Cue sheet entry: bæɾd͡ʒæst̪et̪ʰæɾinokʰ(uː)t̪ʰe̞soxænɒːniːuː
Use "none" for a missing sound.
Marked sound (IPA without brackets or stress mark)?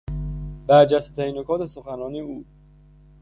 ɒː